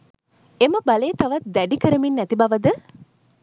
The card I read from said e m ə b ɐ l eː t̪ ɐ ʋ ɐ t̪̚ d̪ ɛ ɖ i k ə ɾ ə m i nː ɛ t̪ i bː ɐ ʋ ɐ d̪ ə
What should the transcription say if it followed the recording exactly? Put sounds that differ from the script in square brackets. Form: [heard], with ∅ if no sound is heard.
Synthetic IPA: e m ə b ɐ l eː t̪ ɐ ʋ ɐ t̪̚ d̪ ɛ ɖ i k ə ɾ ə m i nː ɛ t̪ i [b] ɐ ʋ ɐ d̪ ə